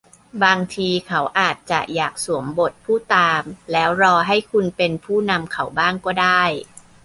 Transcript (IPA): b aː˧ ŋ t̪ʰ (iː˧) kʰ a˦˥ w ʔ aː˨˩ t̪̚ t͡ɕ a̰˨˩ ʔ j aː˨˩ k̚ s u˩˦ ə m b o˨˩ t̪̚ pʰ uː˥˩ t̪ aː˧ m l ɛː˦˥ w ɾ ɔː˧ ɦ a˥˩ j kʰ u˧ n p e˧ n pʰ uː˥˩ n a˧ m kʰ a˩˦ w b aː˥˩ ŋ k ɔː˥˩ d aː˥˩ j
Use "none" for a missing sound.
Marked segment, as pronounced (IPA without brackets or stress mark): iː˧